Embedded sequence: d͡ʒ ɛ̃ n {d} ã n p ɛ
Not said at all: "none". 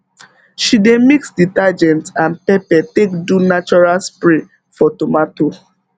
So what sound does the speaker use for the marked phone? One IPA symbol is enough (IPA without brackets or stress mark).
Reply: t